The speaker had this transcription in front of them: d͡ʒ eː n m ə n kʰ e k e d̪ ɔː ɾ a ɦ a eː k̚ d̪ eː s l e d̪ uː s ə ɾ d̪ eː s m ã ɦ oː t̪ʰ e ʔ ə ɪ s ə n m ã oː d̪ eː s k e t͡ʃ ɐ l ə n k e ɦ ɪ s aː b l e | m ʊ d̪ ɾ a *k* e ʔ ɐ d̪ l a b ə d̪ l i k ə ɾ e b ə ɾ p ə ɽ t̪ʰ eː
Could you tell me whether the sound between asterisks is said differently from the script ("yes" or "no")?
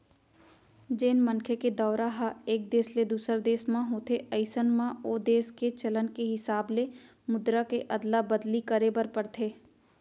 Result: no